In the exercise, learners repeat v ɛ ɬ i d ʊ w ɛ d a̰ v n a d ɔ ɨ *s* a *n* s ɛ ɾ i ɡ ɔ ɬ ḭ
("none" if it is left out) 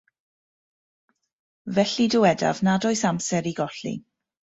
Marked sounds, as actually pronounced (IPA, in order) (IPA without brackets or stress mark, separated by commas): s, m